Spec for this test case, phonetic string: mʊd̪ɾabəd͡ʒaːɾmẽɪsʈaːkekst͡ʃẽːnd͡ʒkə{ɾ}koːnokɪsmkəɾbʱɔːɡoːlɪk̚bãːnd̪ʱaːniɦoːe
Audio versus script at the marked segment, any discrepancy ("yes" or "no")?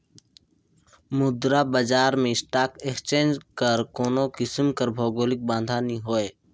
no